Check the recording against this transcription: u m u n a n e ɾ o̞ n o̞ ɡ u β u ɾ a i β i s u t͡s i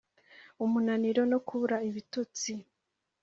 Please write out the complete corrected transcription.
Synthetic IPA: u m u n a n i ɾ o̞ n o̞ k u β u ɾ a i β i t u t͡s i